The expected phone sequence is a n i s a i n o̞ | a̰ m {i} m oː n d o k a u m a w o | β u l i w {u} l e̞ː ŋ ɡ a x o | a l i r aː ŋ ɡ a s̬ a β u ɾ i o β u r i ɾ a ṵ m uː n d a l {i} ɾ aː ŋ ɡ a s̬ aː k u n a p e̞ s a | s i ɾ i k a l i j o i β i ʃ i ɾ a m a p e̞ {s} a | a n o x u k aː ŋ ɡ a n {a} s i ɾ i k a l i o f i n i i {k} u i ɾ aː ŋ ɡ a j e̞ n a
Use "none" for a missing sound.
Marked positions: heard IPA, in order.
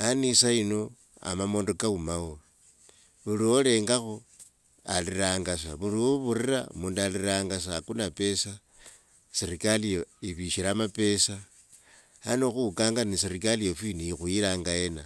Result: a, o, i, s, i, x

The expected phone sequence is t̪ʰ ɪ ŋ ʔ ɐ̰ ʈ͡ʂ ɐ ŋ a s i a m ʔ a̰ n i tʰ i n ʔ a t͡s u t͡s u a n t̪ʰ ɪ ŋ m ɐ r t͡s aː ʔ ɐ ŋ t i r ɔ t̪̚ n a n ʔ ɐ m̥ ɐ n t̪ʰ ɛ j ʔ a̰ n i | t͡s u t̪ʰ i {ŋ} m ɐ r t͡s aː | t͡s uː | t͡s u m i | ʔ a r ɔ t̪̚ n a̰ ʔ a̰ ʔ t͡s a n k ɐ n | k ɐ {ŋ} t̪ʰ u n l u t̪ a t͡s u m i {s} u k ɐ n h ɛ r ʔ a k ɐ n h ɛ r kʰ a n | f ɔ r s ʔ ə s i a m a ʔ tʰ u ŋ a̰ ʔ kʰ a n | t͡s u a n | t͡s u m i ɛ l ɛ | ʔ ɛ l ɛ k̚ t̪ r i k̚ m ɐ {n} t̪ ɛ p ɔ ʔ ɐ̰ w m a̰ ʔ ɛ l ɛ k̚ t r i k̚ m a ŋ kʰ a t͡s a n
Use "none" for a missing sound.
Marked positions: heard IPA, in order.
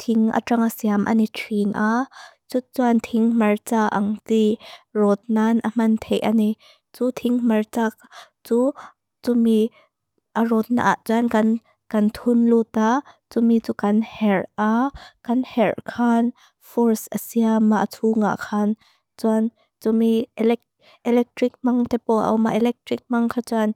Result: ŋ, n, t͡s, ŋ

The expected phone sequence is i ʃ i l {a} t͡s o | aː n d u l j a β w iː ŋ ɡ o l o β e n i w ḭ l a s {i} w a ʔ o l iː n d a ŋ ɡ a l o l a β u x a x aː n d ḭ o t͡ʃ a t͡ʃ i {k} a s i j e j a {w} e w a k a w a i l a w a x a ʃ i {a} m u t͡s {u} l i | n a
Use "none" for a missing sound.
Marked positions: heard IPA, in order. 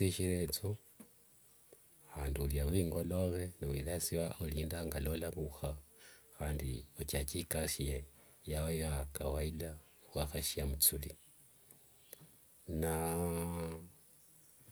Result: e, i, k, w, a, u

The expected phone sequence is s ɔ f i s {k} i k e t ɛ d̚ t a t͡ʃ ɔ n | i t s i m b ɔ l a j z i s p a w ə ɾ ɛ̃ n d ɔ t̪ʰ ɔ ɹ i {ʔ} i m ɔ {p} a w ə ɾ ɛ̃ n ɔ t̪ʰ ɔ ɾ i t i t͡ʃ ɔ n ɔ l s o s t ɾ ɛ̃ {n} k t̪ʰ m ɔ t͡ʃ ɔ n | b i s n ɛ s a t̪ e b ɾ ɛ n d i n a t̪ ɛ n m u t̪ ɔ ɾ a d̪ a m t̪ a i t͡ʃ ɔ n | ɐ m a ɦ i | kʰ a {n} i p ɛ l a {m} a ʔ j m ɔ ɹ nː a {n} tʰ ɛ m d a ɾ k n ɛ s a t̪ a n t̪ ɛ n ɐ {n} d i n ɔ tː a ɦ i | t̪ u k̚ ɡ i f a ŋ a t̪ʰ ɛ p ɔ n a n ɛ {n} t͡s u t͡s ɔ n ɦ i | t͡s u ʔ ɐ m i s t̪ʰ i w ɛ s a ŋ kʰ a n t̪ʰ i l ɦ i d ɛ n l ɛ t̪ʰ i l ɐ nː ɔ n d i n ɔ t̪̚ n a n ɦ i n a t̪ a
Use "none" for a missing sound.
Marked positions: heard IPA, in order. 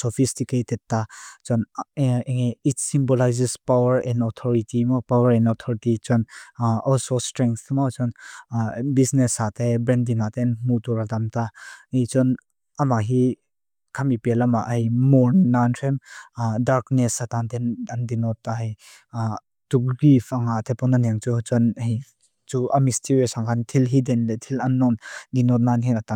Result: t, t, p, ŋ, m, m, n, n, ŋ

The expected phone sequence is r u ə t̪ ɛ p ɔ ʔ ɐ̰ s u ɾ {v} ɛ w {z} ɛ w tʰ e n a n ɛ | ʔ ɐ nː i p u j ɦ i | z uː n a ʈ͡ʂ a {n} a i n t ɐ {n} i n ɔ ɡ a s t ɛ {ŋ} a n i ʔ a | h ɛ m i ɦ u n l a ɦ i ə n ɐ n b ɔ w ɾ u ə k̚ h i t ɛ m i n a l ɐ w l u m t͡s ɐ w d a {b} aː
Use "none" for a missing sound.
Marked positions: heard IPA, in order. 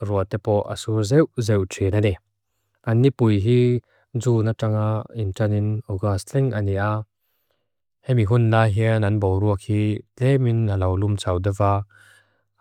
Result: z, z, ŋ, n, ŋ, v

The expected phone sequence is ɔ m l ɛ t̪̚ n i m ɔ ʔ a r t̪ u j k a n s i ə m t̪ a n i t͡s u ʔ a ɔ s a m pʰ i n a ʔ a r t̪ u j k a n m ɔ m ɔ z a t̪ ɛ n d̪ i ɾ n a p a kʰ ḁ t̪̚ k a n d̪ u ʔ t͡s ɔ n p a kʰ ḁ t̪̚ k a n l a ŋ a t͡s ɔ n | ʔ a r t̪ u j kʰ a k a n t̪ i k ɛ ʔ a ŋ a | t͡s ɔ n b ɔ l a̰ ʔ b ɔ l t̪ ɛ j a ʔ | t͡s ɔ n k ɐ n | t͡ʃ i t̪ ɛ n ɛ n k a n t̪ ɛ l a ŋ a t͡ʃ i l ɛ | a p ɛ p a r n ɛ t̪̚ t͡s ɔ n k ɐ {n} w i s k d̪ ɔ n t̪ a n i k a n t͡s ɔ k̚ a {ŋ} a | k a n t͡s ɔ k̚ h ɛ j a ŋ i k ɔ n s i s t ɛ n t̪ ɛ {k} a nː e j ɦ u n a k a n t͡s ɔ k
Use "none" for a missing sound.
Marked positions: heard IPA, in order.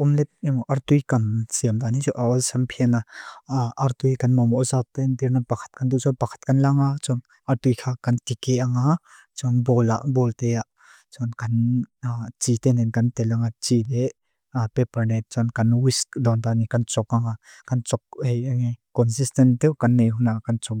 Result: n, ŋ, k

